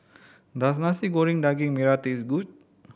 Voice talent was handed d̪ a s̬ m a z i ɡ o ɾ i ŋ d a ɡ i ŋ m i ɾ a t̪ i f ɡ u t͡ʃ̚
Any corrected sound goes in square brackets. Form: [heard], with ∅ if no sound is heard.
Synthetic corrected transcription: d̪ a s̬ [n] a [s] i ɡ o ɾ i ŋ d a ɡ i ŋ m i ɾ a t̪ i [s] ɡ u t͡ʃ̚